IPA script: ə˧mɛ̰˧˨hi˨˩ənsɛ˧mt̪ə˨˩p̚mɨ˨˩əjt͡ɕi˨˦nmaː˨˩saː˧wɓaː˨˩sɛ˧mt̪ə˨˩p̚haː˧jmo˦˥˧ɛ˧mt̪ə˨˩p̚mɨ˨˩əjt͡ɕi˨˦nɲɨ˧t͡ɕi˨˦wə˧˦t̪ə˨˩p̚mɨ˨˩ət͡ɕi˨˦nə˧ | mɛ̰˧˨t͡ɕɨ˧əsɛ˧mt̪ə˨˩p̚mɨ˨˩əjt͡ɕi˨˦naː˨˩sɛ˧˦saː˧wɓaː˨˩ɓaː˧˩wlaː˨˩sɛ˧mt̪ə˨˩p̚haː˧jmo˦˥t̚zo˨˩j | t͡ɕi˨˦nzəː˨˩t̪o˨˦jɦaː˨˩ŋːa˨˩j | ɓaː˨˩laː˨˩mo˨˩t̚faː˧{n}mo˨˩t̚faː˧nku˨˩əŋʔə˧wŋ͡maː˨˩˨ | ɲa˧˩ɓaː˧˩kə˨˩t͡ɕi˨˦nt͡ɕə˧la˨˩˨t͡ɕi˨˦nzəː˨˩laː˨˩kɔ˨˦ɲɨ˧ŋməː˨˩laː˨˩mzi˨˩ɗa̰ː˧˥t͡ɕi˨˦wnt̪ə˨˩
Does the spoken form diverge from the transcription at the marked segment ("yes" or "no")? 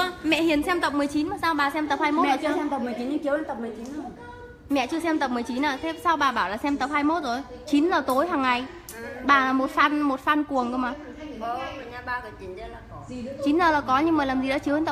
no